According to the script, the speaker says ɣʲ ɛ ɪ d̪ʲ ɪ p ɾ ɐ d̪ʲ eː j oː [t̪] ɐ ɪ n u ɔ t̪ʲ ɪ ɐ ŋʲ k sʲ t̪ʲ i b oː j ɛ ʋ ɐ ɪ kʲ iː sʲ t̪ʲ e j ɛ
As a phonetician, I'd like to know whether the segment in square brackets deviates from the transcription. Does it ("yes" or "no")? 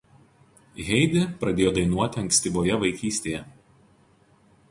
yes